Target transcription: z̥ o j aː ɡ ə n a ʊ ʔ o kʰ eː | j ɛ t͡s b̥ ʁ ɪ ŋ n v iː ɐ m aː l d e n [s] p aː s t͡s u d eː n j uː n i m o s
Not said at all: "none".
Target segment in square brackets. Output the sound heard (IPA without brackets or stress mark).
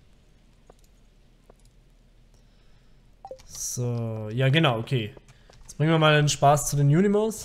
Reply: ʃ